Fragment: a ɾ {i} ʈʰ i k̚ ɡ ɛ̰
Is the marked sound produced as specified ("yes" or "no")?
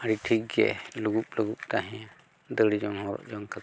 yes